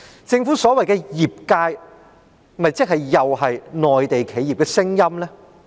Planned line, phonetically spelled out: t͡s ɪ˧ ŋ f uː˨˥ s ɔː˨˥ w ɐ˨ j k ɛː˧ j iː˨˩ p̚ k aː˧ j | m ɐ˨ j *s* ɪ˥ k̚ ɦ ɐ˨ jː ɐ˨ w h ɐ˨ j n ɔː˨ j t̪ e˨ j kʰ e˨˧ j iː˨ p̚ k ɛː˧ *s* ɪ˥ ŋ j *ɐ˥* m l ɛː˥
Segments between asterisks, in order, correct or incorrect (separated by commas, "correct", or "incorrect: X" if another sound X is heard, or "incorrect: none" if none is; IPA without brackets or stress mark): incorrect: t͡s, correct, correct